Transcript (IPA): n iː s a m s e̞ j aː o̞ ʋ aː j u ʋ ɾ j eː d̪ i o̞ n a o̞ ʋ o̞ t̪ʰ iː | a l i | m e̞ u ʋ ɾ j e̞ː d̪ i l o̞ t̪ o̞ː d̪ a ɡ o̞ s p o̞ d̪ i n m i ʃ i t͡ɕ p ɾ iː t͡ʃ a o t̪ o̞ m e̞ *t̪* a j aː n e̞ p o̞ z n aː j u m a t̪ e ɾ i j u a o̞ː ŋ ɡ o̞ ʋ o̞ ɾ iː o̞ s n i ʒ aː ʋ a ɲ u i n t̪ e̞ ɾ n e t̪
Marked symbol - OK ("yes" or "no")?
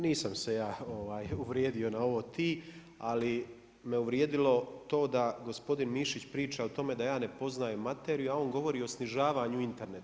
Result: no